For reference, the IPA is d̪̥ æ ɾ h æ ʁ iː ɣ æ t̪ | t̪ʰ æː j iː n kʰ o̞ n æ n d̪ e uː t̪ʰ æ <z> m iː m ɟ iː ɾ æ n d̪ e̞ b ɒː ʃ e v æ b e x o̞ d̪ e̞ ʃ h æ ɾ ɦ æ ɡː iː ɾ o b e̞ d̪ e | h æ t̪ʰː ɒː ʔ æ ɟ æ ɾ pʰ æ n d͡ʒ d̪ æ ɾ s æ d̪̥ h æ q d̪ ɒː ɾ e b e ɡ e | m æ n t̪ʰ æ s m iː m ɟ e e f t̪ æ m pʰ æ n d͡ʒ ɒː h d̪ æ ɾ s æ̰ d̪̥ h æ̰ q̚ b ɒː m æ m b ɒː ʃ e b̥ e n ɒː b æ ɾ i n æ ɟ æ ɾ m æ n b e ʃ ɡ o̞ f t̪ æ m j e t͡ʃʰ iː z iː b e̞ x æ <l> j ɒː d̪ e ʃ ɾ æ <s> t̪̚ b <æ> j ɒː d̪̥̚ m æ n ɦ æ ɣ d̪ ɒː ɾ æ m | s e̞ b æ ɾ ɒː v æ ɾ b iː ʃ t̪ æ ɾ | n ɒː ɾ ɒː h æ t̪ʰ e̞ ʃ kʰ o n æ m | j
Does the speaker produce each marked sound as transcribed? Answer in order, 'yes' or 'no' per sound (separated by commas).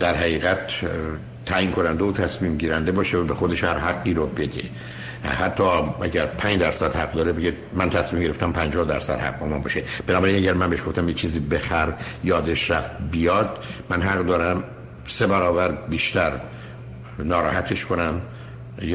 no, no, no, no